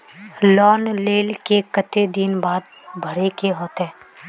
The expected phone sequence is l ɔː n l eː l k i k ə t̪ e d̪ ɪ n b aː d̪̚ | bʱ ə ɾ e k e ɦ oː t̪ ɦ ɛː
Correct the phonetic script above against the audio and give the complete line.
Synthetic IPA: l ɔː n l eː l k e k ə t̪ e d̪ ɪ n b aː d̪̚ | bʱ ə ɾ e k e ɦ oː t̪ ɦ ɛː